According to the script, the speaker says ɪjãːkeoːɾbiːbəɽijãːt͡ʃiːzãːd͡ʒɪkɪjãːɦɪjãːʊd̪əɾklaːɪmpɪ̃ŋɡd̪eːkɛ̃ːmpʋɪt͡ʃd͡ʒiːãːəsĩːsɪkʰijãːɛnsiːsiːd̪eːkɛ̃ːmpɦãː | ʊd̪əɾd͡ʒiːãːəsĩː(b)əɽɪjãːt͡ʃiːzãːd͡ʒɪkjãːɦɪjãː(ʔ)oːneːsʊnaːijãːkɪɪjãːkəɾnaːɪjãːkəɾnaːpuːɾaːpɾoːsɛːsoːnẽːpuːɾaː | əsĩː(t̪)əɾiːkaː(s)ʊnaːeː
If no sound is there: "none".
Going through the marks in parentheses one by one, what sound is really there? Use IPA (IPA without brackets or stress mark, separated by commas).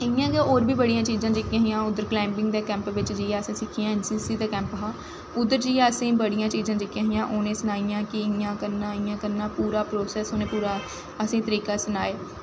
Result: b, ʔ, t̪, s